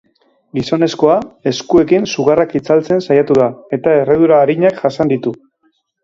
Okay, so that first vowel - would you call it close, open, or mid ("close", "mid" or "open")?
close